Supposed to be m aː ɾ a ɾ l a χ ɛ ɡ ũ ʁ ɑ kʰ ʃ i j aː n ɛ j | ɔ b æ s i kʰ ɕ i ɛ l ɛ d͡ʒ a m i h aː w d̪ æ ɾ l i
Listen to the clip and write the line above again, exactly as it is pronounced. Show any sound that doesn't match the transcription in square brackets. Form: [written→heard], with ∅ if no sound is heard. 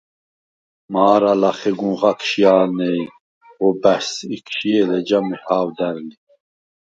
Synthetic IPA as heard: m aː ɾ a [ɾ→∅] l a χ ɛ ɡ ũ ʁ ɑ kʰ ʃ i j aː n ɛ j | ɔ b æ s i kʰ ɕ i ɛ l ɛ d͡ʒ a m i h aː w d̪ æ ɾ l i